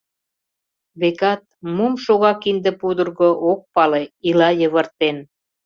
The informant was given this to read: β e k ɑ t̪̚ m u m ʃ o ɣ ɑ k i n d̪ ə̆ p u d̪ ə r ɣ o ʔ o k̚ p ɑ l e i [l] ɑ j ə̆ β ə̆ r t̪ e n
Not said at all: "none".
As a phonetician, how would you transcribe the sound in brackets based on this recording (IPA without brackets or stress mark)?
l